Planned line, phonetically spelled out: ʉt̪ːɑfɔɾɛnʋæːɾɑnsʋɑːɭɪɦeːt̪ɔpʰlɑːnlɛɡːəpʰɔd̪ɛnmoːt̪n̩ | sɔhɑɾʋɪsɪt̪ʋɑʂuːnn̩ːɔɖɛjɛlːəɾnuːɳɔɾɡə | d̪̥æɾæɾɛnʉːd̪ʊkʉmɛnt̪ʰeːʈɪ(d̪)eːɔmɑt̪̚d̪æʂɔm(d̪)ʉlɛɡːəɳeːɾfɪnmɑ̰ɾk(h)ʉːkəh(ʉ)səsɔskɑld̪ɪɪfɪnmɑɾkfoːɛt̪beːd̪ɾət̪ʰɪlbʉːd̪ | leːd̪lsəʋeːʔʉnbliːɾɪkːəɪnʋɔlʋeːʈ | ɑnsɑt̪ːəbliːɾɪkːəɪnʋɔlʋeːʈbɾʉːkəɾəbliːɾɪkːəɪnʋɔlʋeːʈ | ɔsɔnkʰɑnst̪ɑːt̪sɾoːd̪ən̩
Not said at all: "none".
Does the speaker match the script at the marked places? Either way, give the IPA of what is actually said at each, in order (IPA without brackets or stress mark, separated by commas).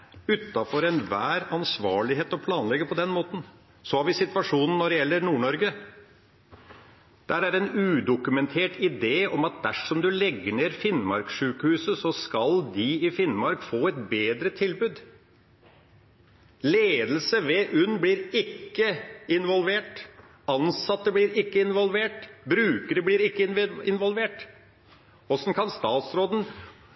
d̪, d̪, ʂ, ʉː